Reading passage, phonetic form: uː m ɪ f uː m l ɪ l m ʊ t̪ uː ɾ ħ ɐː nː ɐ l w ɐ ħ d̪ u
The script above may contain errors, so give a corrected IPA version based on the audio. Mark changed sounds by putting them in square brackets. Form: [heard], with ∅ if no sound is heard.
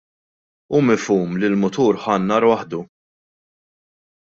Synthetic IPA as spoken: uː m ɪ f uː m l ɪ l m ʊ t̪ uː ɾ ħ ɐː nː ɐ [ɾ] w ɐ ħ d̪ u